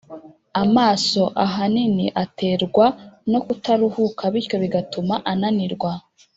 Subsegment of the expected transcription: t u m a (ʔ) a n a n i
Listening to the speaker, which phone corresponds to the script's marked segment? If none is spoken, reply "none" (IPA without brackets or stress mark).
ʔ